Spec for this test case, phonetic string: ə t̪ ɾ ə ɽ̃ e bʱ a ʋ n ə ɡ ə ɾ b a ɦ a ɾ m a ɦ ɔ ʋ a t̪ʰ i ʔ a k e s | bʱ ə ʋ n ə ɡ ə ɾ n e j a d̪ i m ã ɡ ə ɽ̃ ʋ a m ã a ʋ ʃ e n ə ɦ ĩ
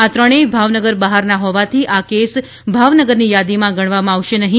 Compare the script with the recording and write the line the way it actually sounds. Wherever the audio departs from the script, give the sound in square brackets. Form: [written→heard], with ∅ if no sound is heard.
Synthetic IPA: [ə→a] t̪ ɾ ə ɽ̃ e bʱ a ʋ n ə ɡ ə ɾ b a ɦ a ɾ [m→n] a ɦ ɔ ʋ a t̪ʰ i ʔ a k e s | bʱ [ə→a] ʋ n ə ɡ ə ɾ n [e→i] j a d̪ i m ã ɡ ə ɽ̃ ʋ a m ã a ʋ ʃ e n ə ɦ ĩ